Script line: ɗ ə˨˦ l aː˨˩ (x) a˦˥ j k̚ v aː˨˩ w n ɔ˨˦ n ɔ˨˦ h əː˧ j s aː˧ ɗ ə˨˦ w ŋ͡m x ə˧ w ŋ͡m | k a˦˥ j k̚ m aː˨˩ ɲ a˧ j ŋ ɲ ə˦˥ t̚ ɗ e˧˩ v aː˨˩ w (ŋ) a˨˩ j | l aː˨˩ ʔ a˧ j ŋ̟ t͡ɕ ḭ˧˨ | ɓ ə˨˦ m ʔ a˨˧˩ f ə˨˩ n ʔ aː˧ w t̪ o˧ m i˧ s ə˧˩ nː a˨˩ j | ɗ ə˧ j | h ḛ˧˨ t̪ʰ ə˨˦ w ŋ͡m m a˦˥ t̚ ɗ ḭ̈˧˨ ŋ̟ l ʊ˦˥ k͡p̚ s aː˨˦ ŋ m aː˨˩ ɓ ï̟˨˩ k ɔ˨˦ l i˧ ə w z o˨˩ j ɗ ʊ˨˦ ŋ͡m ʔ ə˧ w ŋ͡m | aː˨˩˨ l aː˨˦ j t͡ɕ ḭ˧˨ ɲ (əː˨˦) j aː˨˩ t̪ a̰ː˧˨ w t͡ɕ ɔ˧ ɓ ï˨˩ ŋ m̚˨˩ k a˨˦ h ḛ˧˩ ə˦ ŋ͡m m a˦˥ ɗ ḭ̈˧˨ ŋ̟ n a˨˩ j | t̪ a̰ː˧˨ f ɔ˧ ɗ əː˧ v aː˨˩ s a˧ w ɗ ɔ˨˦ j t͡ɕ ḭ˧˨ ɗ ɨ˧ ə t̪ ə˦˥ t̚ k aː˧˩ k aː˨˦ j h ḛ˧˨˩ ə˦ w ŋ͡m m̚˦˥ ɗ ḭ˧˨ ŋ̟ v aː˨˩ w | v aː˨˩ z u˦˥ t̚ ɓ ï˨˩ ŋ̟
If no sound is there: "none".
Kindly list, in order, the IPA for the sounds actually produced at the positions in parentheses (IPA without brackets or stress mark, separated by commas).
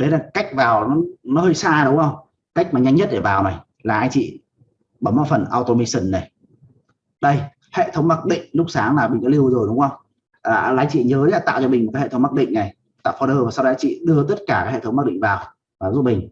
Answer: k, n, əː˨˦